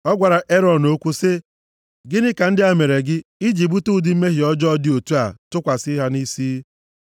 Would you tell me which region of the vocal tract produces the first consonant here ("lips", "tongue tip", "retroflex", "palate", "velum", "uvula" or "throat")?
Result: velum